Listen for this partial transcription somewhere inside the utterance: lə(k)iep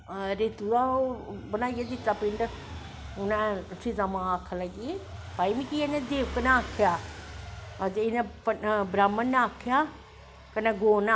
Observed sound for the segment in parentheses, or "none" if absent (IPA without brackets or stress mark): ɡ